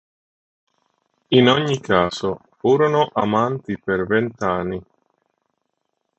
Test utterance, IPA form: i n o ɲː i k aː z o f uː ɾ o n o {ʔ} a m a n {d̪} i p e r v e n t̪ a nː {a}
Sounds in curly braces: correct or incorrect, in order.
correct, incorrect: t̪, incorrect: i

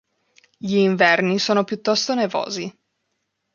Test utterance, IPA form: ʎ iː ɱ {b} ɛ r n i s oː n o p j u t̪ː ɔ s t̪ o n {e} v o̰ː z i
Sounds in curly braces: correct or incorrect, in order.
incorrect: v, correct

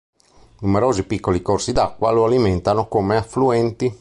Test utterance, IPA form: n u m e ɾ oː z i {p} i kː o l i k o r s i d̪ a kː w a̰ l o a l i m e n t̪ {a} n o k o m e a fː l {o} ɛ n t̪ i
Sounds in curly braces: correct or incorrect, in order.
correct, correct, incorrect: u

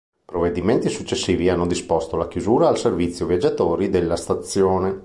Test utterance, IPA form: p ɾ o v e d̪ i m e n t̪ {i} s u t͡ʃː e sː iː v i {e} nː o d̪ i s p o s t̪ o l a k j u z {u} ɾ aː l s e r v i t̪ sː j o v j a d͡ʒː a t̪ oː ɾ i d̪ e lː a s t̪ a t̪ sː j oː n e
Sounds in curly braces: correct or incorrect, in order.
correct, incorrect: a, incorrect: uː

